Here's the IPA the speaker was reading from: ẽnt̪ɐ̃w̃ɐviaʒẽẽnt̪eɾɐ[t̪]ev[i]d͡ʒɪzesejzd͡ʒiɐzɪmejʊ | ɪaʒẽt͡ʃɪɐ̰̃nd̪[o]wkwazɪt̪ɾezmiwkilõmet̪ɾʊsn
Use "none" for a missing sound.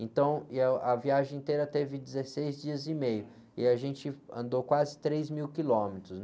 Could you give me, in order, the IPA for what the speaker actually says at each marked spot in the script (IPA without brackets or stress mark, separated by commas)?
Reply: t̪, ɪ, o